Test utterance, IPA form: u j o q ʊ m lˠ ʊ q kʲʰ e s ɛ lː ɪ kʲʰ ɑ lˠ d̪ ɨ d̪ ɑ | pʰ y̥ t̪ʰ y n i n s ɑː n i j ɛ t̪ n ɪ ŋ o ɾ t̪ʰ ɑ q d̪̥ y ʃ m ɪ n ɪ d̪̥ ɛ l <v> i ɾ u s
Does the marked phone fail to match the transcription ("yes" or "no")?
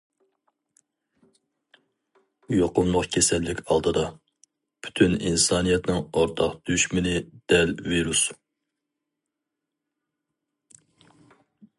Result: no